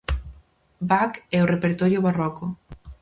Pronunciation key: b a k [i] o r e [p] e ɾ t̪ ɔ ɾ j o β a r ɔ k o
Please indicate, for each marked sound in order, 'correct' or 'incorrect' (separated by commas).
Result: incorrect, correct